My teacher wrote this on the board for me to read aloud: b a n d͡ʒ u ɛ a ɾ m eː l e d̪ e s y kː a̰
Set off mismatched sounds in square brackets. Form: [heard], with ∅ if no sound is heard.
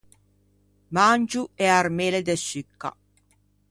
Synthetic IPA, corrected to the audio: [m] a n d͡ʒ u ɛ a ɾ m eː l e d̪ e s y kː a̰